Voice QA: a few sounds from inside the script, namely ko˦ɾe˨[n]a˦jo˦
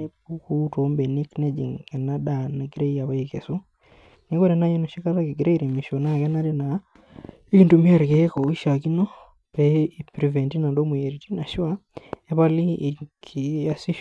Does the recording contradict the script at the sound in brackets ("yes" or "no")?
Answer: no